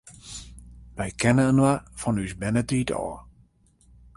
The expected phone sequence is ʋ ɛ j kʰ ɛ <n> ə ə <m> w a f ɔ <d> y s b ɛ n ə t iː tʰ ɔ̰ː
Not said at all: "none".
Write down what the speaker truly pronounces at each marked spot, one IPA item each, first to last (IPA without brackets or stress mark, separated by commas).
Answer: n, n, n